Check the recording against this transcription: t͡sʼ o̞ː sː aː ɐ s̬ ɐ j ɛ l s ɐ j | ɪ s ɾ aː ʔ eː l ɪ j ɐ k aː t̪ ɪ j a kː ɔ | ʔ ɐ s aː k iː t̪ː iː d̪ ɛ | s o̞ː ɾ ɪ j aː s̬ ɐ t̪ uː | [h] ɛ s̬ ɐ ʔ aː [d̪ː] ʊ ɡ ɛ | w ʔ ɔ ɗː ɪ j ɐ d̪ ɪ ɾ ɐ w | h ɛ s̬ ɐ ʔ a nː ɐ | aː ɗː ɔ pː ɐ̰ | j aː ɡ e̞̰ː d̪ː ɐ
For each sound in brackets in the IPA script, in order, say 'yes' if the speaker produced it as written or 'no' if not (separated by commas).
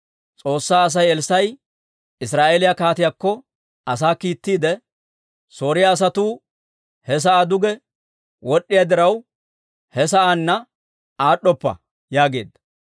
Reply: yes, no